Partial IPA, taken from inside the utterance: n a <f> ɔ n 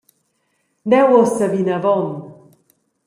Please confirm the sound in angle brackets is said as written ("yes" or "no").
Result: no